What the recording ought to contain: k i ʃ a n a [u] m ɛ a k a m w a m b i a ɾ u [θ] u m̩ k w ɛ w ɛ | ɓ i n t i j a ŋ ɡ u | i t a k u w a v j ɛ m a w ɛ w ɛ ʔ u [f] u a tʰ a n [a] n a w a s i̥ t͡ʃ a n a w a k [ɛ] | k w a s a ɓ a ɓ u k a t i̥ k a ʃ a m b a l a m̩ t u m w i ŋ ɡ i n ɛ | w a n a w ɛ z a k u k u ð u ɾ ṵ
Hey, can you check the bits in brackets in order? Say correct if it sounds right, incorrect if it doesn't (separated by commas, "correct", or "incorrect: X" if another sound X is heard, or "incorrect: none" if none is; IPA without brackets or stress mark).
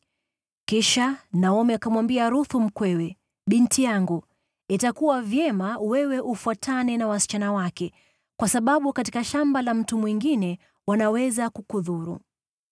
incorrect: ɔ, correct, correct, incorrect: ɛ, correct